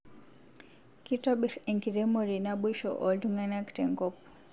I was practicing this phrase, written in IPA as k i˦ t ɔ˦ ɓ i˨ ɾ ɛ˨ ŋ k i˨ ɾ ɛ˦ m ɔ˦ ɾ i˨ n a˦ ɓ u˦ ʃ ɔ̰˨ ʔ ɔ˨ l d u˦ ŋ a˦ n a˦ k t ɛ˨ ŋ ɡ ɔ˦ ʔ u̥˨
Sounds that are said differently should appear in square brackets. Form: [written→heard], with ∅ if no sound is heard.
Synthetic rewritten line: k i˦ t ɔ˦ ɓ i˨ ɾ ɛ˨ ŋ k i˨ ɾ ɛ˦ m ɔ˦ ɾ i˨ n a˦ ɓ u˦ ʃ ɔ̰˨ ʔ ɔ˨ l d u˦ ŋ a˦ n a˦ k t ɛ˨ ŋ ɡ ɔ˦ [ʔ→p] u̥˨